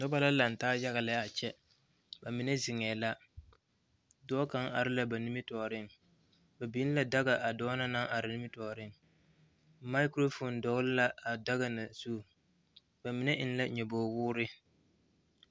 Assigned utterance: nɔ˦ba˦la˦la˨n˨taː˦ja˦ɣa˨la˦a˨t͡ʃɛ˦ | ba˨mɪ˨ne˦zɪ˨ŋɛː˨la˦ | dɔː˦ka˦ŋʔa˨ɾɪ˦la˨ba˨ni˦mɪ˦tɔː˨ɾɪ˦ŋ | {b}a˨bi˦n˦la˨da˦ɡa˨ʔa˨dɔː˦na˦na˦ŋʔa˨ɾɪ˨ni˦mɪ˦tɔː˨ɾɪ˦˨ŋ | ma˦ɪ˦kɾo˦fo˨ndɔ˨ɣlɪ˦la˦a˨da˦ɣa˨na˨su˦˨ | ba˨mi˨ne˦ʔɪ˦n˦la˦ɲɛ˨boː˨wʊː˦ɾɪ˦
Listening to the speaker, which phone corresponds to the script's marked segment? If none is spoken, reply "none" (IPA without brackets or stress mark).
b